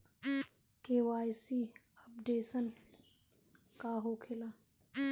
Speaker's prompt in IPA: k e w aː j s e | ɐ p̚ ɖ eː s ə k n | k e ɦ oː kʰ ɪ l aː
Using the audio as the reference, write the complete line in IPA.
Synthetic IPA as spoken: k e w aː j s i | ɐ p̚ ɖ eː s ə n | k a ɦ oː kʰ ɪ l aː